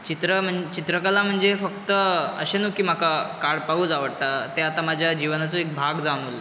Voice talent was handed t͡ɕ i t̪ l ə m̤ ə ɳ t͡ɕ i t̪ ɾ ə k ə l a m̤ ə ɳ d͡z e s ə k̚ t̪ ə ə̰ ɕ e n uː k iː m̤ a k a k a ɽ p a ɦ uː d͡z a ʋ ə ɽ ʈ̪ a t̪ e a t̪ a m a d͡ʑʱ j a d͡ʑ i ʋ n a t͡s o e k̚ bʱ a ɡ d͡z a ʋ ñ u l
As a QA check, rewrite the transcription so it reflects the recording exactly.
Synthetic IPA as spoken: t͡ɕ i t̪ ɾ ə m̤ ə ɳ t͡ɕ i t̪ ɾ ə k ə l a m̤ ə ɳ d͡z e f ə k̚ t̪ ə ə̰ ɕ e n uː k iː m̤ a k a k a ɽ p a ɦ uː d͡z a ʋ ə ɽ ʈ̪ a t̪ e a t̪ a m a d͡ʑʱ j a d͡ʑ i ʋ n a t͡s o e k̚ bʱ a ɡ d͡z a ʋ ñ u l